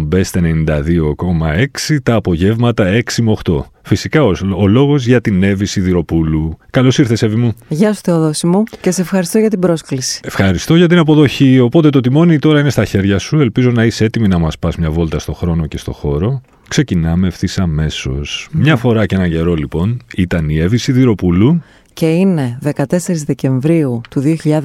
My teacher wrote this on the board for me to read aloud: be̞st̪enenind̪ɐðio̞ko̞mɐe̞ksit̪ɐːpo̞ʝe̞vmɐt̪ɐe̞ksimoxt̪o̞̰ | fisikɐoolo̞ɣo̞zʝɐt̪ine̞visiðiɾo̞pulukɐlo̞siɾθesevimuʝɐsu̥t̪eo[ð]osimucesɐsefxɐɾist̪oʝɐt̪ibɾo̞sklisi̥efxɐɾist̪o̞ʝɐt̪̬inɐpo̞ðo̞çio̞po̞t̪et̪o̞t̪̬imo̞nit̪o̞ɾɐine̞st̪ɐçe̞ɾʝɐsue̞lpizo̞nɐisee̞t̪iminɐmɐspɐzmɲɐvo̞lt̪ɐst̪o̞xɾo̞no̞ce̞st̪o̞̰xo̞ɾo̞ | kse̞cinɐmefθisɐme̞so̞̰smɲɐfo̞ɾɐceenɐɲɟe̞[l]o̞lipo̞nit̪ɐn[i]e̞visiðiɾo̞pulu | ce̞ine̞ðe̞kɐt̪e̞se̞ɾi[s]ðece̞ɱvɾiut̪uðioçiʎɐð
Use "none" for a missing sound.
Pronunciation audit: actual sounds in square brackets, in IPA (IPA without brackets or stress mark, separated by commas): ð, ɾ, i, z